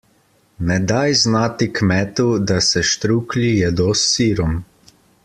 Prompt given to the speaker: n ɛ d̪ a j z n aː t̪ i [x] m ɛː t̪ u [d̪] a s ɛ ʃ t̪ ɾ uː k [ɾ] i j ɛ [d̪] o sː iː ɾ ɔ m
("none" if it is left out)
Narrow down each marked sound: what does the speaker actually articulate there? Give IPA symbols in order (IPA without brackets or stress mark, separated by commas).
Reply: k, d̪, l, d̪